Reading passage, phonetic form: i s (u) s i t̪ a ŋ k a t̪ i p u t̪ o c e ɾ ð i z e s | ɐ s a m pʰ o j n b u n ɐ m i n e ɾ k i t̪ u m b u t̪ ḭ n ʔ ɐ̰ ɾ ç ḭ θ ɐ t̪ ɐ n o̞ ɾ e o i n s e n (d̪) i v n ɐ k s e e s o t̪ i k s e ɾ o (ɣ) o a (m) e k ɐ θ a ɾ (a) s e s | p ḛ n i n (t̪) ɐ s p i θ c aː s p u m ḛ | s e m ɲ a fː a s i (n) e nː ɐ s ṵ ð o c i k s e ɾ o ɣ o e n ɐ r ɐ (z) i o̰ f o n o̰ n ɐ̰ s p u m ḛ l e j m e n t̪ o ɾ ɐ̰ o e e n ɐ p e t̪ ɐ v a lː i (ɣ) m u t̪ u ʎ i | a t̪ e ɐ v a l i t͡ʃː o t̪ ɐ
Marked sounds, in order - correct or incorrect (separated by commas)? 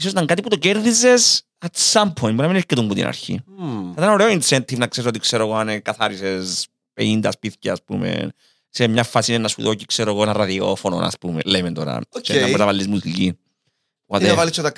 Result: incorrect, incorrect, correct, incorrect, incorrect, incorrect, correct, incorrect, incorrect